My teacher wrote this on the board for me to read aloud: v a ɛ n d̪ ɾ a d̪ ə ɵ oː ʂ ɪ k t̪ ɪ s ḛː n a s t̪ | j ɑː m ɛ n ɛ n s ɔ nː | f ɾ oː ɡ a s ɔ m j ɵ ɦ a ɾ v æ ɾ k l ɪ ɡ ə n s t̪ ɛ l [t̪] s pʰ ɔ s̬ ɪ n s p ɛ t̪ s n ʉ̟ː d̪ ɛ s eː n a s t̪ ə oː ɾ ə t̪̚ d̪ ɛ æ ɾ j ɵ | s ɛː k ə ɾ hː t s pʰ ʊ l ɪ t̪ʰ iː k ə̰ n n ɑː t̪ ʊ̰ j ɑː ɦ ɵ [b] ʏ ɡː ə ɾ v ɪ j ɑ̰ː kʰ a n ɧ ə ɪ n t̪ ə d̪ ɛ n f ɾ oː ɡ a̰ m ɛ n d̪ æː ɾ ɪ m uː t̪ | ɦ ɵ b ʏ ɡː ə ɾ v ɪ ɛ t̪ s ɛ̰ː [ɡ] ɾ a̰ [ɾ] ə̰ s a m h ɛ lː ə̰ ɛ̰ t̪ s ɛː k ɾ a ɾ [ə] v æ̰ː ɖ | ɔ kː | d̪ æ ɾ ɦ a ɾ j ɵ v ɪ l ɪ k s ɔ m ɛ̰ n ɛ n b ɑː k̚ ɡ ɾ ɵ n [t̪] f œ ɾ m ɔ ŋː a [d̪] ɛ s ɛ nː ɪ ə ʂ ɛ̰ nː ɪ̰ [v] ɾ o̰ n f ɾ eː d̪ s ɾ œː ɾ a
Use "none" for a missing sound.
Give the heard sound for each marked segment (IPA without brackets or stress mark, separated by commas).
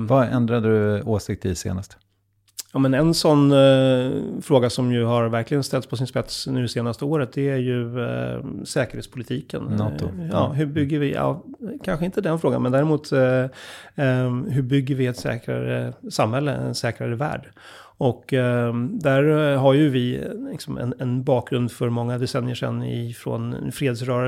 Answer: t̪, b, k, ɾ, ə, d̪, d̪, f